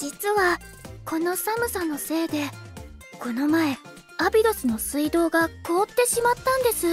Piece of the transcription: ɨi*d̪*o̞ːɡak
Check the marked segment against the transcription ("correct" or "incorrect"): correct